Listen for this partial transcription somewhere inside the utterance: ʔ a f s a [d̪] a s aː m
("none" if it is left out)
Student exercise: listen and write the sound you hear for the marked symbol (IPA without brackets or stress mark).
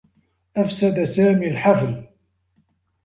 d̪